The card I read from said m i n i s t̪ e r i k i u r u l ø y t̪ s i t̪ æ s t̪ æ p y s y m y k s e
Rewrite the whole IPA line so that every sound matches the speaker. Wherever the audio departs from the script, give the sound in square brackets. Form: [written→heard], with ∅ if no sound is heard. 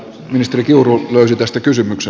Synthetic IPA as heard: m i n i s t̪ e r i k i u r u l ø y [t̪→∅] s i t̪ æ s t̪ æ [p→k] y s y m y k s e

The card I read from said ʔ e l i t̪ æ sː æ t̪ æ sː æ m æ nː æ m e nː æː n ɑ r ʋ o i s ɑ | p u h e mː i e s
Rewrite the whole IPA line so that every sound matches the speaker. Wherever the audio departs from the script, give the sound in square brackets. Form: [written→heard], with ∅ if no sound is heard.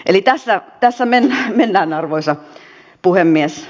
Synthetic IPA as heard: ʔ e l i t̪ æ sː æ t̪ æ sː æ m [æ→e] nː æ m e nː æː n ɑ r ʋ o i s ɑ | p u h e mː i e s

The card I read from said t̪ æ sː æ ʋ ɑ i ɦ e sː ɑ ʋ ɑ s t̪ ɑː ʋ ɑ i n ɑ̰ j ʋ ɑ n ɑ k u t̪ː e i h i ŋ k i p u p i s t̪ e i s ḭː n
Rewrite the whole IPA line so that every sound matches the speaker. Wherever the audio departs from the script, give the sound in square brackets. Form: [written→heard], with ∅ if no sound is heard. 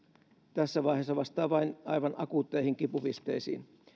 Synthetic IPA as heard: t̪ æ sː æ ʋ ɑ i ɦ e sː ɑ ʋ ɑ s t̪ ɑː ʋ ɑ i n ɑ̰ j ʋ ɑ n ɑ k u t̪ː e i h i ŋ k i p u p i s t̪ e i s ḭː n

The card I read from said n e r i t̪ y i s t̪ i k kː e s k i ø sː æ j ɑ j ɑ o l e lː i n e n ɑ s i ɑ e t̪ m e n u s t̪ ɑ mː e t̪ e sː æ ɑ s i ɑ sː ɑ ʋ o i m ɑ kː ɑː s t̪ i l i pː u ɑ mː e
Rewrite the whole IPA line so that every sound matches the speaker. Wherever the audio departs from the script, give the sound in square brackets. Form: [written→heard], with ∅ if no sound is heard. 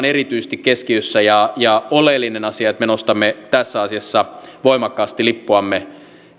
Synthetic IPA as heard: n e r i t̪ y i s t̪ i k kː e s k i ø sː æ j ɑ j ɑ o l e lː i n e n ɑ s i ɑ e t̪ m e n [u→o] s t̪ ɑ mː e t̪ [e→æ] sː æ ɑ s i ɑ sː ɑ ʋ o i m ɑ kː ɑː s t̪ i l i pː u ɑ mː e

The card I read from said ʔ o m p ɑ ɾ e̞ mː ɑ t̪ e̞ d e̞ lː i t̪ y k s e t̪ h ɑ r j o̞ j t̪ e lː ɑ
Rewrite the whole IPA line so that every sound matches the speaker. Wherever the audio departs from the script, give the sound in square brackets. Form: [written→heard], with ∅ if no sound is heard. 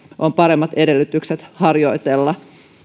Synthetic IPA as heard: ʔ o m p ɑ ɾ e̞ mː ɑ t̪ e̞ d e̞ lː [i→y] t̪ y k s e t̪ h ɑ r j o̞ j t̪ e lː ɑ

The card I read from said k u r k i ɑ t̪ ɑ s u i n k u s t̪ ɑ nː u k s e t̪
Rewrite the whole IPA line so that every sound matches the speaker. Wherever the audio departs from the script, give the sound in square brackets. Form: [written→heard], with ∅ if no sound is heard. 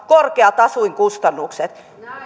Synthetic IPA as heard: k [u→o] r k [i→e] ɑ t̪ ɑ s u i [n→ŋ] k u s t̪ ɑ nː u k s e t̪

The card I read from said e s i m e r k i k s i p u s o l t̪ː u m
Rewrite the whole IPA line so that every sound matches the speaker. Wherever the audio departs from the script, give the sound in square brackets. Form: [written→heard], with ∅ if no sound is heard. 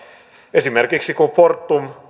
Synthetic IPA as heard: e s i m e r k i k s i [p→k] u [s→f] o [l→r] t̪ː u m

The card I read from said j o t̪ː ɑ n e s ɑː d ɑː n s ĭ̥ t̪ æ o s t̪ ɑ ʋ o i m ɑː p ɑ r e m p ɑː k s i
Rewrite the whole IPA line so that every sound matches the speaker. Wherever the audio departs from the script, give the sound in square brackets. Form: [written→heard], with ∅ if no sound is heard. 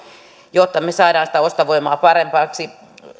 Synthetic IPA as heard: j o t̪ː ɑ [n→m] e s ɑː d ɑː n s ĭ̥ t̪ æ o s t̪ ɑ ʋ o i m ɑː p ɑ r e m p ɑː k s i

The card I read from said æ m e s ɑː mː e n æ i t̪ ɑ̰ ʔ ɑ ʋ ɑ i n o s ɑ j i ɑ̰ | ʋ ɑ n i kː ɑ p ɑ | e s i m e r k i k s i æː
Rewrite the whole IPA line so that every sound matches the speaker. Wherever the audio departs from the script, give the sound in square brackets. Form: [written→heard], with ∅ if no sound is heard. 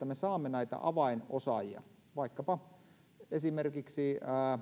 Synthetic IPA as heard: æ m e s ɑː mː e n æ i t̪ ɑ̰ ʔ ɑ ʋ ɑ i n o s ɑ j i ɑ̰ | ʋ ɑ [n→∅] i kː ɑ p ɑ | e s i m e r k i k s i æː

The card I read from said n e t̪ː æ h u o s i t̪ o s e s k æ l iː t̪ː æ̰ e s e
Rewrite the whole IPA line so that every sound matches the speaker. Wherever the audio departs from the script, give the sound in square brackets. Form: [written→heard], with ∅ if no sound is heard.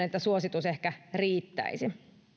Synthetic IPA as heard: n e t̪ː æ [h→s] u o s i t̪ [o→u] s e [s→h] k æ [l→r] iː t̪ː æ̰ [e→i] s [e→i]

